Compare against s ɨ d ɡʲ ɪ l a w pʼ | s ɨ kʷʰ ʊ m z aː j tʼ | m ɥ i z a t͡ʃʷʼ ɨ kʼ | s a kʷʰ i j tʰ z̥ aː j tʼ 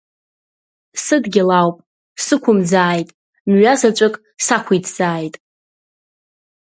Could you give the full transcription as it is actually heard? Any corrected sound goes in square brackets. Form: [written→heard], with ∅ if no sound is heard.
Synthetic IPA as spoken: s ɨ d ɡʲ ɪ l a w pʼ | s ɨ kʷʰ ʊ m [z→d͡z] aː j tʼ | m ɥ [i→a] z a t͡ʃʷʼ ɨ kʼ | s a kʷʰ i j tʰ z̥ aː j tʼ